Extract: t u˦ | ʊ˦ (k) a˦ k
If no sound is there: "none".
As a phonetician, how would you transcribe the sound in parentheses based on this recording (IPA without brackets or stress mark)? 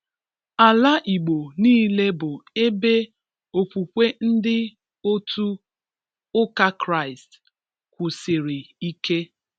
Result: k